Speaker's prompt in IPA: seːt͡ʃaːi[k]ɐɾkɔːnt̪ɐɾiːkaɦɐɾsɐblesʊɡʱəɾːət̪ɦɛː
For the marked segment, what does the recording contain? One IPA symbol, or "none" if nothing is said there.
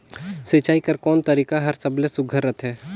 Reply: k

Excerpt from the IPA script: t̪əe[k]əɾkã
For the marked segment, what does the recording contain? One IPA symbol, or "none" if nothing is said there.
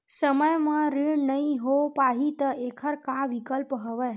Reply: kʰ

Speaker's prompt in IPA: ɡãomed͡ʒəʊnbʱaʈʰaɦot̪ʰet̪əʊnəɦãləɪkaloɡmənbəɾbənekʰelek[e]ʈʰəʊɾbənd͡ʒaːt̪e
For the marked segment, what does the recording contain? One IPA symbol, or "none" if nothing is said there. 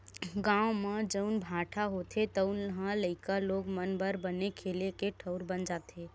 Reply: e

